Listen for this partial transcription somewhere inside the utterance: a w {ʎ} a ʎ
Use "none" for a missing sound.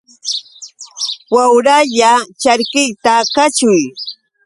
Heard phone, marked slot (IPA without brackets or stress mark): ɾ